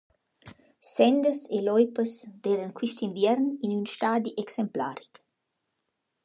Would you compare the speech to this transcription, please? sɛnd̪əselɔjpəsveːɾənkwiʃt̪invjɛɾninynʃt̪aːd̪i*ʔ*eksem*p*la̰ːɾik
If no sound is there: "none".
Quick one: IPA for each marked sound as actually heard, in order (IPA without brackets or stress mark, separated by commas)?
ʔ, p